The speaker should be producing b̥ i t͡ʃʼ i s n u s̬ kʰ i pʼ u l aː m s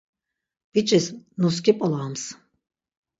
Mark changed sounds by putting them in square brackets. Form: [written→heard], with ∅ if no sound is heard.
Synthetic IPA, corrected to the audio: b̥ i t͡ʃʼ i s n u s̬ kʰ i pʼ [u→ɔ] l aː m s